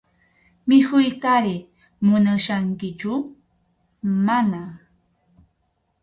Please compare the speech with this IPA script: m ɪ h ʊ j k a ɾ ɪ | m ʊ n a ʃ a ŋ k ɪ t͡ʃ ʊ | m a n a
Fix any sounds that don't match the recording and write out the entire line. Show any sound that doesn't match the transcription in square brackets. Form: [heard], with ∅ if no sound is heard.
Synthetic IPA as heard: m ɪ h ʊ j k a ɾ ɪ | m ʊ n a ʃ a ŋ k ɪ t͡ʃ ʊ | m a n a